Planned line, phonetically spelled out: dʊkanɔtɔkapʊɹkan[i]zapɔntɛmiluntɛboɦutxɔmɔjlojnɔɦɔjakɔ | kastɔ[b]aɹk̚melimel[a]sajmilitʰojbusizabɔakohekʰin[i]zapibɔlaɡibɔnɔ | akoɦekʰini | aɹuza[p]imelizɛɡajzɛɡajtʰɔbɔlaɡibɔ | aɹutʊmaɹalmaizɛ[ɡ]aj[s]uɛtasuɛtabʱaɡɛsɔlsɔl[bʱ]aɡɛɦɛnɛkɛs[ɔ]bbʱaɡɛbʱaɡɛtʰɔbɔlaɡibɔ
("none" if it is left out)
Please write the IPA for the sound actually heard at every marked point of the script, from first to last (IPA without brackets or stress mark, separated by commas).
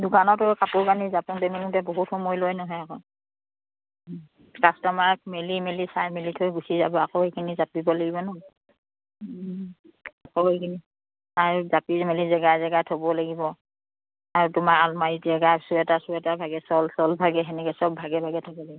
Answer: i, m, i, i, p, ɡ, s, bʱ, ɔ